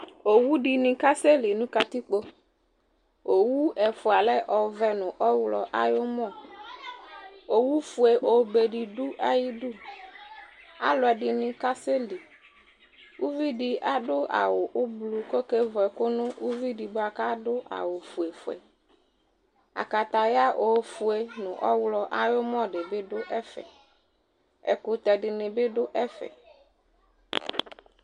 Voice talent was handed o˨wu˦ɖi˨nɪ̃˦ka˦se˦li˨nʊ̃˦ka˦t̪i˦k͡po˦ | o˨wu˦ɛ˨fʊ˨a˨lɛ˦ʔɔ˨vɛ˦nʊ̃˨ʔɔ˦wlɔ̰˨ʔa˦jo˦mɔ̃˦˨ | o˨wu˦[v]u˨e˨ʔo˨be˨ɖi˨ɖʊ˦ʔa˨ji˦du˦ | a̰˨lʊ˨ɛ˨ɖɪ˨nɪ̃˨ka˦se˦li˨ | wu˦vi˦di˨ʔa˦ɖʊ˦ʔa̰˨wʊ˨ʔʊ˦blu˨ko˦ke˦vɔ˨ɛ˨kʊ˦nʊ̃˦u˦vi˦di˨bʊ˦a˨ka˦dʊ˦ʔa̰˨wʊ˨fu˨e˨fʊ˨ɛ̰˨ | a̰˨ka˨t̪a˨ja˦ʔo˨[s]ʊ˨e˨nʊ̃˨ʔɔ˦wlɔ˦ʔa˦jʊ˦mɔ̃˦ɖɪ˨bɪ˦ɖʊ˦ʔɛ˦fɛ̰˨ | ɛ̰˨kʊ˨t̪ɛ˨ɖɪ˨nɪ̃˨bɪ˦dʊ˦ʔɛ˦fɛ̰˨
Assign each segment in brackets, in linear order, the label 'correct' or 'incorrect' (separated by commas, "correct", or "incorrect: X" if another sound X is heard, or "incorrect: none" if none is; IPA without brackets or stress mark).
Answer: incorrect: f, incorrect: f